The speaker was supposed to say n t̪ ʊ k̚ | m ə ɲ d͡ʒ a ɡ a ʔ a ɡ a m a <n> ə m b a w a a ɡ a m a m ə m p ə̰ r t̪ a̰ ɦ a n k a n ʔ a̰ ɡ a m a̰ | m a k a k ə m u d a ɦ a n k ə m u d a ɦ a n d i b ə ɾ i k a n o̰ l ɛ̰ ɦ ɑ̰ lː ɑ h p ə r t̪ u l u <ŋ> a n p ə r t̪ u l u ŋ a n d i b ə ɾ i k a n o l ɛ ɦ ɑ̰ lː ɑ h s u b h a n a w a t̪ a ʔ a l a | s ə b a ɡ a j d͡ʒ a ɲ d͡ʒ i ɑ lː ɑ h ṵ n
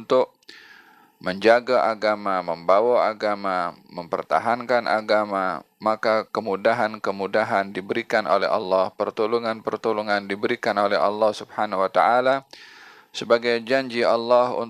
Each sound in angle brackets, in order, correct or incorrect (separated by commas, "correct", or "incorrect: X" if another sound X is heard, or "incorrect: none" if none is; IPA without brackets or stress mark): incorrect: m, correct